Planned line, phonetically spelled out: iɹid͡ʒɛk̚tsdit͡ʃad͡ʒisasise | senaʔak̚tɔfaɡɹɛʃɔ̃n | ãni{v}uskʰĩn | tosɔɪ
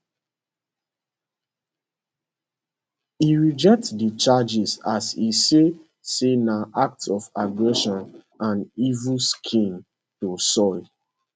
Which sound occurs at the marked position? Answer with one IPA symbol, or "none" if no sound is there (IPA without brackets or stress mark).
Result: v